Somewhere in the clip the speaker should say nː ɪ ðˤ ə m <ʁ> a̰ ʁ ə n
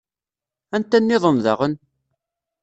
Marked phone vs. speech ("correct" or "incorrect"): incorrect